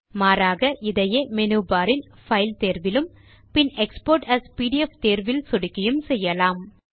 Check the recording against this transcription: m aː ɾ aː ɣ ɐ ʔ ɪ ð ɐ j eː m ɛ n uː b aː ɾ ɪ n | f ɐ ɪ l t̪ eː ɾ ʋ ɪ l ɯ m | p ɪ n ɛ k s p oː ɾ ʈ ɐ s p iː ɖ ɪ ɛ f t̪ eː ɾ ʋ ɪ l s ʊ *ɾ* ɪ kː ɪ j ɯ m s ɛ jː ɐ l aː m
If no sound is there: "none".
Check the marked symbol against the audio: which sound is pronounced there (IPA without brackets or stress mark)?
ɽ